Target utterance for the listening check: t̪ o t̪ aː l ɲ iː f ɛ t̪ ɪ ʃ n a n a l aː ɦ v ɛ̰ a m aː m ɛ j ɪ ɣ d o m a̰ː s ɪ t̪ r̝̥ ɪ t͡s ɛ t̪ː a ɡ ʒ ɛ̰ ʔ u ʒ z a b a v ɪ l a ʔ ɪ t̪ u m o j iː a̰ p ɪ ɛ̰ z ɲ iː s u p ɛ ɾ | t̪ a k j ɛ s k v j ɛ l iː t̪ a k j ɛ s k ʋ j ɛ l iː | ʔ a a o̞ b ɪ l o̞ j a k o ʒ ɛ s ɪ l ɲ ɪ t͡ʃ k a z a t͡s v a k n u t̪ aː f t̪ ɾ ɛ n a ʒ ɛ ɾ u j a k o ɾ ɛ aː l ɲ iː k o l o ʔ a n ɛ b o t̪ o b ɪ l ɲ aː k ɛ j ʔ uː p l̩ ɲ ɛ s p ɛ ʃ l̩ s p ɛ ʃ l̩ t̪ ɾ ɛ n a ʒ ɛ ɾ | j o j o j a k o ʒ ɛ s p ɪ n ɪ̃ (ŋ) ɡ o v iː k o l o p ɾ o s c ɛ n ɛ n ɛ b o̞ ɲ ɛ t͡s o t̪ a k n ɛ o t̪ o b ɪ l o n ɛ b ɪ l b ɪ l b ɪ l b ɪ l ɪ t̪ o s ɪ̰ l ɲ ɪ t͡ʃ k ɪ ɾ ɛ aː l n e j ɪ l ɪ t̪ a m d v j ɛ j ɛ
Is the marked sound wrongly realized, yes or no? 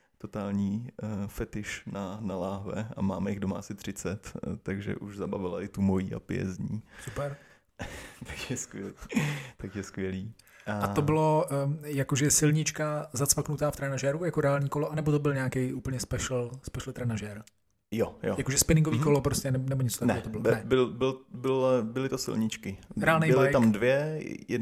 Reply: no